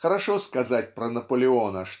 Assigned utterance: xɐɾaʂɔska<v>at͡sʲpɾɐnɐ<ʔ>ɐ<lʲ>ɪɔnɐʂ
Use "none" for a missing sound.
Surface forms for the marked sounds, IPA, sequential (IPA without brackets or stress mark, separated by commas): z, p, lʲ